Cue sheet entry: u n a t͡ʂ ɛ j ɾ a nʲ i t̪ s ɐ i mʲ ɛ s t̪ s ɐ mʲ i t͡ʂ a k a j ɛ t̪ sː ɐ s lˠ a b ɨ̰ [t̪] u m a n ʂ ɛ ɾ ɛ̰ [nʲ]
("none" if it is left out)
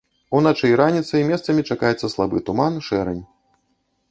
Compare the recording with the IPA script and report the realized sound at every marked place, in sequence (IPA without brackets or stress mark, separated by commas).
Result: t̪, nʲ